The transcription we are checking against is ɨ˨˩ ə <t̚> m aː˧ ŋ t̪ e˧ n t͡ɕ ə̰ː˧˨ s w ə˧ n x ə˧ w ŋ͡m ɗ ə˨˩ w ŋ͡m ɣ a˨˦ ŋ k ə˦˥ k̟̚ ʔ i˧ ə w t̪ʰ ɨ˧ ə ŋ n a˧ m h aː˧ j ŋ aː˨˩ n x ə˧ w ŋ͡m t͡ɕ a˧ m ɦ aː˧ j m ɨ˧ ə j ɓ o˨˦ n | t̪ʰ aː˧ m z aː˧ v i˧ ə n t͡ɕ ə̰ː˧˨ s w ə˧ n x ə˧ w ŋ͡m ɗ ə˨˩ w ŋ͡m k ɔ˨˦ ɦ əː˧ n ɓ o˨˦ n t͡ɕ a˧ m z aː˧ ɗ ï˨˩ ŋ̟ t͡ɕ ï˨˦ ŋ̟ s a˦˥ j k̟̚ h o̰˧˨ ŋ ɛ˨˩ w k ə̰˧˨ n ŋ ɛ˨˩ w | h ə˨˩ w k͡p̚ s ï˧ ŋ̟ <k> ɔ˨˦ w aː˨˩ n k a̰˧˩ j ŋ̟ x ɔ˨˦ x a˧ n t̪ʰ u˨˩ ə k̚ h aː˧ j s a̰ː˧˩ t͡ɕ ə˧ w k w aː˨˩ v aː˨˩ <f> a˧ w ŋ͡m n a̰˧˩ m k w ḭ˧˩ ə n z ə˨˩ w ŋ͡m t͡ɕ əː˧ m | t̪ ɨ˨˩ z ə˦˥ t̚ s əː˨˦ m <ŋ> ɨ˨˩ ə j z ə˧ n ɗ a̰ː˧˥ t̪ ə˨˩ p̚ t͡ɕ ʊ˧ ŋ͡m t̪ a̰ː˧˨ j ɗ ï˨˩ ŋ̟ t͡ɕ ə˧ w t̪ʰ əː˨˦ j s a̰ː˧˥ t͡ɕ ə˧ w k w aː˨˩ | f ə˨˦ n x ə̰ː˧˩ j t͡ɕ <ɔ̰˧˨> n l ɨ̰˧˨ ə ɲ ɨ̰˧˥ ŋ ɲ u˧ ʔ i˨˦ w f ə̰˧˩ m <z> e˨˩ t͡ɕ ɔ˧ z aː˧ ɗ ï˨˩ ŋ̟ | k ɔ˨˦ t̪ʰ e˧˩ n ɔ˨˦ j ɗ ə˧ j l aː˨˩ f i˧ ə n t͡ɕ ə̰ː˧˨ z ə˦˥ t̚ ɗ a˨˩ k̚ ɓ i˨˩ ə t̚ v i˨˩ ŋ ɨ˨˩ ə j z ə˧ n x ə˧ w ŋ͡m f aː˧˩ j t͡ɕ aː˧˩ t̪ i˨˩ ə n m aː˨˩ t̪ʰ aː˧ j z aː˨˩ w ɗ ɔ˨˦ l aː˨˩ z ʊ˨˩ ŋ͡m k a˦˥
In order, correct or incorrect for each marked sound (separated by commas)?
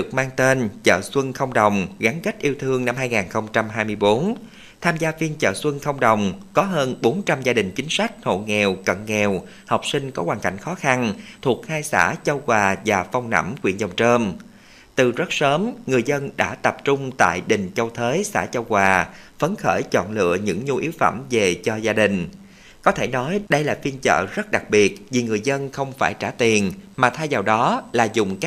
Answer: incorrect, correct, correct, correct, correct, incorrect